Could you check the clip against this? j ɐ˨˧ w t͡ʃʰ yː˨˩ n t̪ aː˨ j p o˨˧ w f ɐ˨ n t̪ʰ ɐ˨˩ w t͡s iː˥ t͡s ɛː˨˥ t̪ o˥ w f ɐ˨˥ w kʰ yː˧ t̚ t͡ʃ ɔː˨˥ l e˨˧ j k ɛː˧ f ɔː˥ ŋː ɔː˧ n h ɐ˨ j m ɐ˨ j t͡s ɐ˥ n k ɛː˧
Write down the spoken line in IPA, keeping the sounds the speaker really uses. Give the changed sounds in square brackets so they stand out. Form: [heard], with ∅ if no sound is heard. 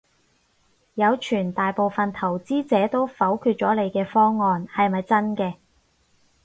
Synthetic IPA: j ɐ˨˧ w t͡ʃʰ yː˨˩ n t̪ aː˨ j p o˨˧ w f ɐ˨ n t̪ʰ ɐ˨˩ w t͡s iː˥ t͡s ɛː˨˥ t̪ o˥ w f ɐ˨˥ w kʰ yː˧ t̚ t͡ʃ ɔː˨˥ l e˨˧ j k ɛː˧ f ɔː˥ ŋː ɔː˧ n h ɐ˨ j m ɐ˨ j t͡s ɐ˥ n k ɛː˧